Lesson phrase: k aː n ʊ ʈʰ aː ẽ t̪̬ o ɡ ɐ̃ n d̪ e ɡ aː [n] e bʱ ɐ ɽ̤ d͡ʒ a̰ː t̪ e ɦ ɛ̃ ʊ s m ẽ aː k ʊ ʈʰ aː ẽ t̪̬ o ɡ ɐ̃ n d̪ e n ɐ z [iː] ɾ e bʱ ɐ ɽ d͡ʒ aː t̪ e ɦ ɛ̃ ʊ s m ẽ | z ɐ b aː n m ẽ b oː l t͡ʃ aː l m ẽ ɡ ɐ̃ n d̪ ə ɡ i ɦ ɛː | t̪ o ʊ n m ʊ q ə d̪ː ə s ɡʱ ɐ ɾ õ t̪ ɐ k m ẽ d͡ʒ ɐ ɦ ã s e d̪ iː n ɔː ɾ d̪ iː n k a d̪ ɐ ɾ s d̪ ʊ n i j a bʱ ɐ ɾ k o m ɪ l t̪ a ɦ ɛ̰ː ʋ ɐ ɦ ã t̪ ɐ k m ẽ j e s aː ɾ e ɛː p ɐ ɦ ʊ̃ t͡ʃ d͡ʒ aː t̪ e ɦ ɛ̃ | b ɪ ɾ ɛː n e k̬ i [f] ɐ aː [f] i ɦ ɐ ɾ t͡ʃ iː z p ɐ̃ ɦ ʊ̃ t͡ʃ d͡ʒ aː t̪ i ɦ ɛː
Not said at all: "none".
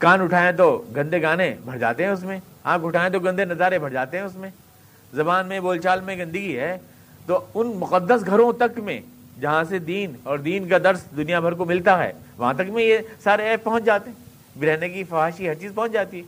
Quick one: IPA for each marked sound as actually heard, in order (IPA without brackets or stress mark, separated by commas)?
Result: n, aː, f, ʃ